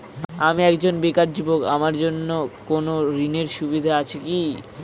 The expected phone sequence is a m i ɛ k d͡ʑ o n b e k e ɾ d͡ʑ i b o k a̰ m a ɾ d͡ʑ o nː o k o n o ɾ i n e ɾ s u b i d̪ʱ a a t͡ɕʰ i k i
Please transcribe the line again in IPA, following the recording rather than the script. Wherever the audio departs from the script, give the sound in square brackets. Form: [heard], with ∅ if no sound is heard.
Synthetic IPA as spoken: a m i ɛ k d͡ʑ o n b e k [a] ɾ d͡ʑ i b o k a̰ m a ɾ d͡ʑ o nː o k o n o ɾ i n e ɾ [ʃ] u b i d̪ʱ a a t͡ɕʰ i k i